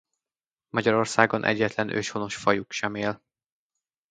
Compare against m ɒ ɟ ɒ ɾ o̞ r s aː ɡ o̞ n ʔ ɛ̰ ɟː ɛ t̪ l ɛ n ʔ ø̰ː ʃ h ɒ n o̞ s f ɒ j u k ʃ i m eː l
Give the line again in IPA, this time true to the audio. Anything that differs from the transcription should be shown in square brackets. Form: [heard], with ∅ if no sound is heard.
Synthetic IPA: m ɒ ɟ ɒ ɾ o̞ r s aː ɡ o̞ n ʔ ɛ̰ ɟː ɛ t̪ l ɛ n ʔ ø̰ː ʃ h [o] n o̞ [ʃ] f ɒ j u k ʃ [ɛ] m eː l

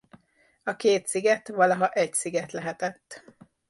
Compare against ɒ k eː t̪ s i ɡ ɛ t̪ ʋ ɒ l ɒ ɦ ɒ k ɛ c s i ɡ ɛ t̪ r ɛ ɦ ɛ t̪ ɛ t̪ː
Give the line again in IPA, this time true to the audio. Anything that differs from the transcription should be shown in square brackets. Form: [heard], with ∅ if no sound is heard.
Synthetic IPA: ɒ k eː t̪ s i ɡ ɛ t̪ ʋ ɒ l ɒ ɦ ɒ [ʔ] ɛ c s i ɡ ɛ t̪ [l] ɛ ɦ ɛ t̪ ɛ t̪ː

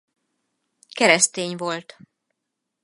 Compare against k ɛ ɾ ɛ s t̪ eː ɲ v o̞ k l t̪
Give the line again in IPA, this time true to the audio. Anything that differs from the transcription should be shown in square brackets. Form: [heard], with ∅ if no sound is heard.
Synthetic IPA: k ɛ ɾ ɛ s t̪ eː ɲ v o̞ [∅] l t̪

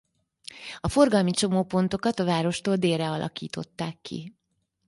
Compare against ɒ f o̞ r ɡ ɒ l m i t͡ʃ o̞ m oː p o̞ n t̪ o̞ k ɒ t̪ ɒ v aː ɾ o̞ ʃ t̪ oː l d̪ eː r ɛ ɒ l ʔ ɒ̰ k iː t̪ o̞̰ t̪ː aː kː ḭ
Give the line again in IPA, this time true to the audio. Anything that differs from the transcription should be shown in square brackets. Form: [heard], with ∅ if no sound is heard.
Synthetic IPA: ɒ f o̞ r ɡ ɒ l m i t͡ʃ o̞ m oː p o̞ n t̪ o̞ k ɒ t̪ ɒ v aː ɾ o̞ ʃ t̪ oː l d̪ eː r ɛ ɒ l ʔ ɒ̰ k iː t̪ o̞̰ t̪ː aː kː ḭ

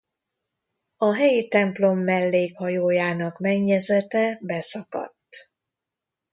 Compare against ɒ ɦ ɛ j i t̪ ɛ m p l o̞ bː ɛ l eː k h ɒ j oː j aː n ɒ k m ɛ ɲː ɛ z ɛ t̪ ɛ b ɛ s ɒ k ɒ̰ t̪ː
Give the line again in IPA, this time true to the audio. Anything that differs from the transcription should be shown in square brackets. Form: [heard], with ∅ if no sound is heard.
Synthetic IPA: ɒ ɦ ɛ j i t̪ ɛ m p l o̞ [mː] ɛ [lː] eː k h ɒ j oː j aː n ɒ k m ɛ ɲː ɛ z ɛ t̪ ɛ b ɛ s ɒ k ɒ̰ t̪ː

